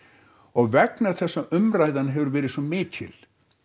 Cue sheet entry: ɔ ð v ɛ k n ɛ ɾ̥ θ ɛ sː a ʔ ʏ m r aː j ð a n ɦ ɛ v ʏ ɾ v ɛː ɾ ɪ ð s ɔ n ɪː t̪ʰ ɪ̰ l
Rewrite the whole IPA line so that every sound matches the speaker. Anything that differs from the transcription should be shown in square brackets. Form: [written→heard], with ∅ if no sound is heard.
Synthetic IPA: ɔ [ð→ɣ] v ɛ k n [ɛ→a] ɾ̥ θ ɛ sː a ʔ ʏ m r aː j ð a n ɦ ɛ v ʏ ɾ v ɛː ɾ ɪ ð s ɔ [n→m] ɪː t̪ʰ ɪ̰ l